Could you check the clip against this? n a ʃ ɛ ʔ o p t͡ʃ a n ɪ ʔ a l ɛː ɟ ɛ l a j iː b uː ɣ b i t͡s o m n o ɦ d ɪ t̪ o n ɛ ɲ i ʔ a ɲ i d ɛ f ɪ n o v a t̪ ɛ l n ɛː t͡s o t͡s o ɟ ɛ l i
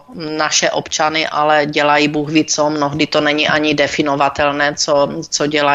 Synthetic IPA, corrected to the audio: n a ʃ ɛ ʔ o p t͡ʃ a n ɪ ʔ a l ɛ ɟ ɛ l a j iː b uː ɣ v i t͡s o m n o ɦ d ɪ t̪ o n ɛ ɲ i ʔ a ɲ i d ɛ f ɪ n o v a t̪ ɛ l n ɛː t͡s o t͡s o ɟ ɛ l a